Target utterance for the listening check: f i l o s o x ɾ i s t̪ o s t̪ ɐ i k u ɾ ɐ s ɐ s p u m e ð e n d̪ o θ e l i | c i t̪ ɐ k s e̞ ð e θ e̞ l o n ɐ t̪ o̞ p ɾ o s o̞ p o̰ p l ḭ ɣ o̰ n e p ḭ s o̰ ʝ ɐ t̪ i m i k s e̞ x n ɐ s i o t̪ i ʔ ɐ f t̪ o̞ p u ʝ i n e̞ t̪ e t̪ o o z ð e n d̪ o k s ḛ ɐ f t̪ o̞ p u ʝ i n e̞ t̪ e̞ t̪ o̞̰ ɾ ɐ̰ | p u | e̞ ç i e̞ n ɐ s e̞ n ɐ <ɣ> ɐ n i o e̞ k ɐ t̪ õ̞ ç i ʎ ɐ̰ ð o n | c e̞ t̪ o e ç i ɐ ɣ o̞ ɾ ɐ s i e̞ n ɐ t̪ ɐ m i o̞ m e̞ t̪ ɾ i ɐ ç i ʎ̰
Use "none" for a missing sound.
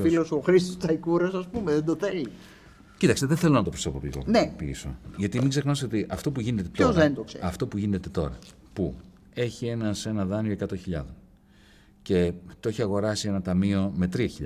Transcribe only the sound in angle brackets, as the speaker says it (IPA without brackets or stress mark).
ð